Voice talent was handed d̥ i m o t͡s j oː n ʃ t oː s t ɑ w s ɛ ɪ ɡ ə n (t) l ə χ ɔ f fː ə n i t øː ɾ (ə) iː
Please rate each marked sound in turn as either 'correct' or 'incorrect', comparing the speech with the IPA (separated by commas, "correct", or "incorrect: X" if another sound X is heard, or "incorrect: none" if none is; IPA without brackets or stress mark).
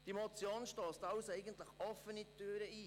correct, correct